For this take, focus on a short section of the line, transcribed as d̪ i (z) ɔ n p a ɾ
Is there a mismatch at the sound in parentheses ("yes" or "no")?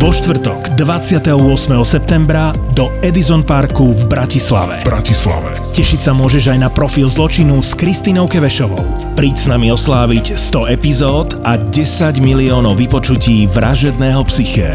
no